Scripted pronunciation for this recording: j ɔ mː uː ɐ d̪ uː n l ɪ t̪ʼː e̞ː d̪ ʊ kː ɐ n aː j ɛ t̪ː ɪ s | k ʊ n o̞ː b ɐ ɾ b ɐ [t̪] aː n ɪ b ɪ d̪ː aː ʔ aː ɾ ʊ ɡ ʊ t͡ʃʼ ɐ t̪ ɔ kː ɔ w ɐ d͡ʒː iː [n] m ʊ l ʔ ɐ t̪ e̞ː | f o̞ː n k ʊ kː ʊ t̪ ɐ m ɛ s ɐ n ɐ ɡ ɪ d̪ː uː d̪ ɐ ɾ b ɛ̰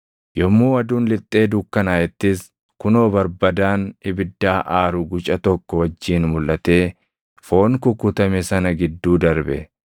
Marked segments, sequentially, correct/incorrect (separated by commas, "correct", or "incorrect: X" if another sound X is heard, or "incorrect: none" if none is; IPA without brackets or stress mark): incorrect: d̪, correct